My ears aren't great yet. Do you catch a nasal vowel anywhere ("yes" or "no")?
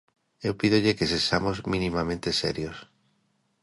yes